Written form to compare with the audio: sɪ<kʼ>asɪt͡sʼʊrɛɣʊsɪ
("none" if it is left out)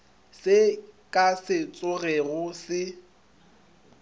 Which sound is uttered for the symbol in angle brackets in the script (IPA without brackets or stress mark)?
kʼ